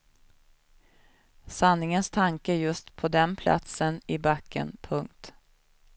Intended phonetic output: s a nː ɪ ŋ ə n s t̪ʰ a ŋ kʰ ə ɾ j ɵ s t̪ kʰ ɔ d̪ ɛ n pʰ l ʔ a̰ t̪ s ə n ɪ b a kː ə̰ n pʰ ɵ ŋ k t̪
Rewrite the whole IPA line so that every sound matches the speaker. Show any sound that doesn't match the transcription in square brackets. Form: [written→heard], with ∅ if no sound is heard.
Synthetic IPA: s a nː ɪ ŋ ə n s t̪ʰ a ŋ [kʰ→k] ə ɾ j ɵ s t̪ [kʰ→pʰ] ɔ d̪ ɛ n pʰ l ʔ a̰ t̪ s ə n ɪ b a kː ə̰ n pʰ ɵ ŋ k t̪